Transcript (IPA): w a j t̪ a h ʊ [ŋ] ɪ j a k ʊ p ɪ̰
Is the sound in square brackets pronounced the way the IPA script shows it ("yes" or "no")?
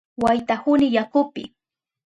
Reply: no